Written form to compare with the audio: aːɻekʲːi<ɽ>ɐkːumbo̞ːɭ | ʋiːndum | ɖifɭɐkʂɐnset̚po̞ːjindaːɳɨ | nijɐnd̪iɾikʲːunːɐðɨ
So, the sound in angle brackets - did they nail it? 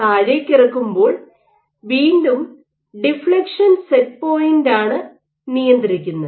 no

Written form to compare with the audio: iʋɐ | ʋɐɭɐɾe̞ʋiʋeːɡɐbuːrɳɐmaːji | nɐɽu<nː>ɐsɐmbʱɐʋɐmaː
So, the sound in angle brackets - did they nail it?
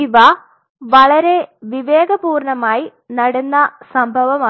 yes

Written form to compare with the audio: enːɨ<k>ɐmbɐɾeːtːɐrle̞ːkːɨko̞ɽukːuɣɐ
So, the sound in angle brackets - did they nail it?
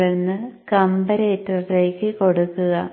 yes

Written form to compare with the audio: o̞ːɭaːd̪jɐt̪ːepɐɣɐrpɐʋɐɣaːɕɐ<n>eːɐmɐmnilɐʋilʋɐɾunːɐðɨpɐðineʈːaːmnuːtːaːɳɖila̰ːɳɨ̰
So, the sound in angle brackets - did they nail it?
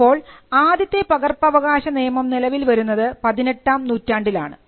yes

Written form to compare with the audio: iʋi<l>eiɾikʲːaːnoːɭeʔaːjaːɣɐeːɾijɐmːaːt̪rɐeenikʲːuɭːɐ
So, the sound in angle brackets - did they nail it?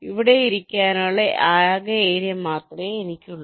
no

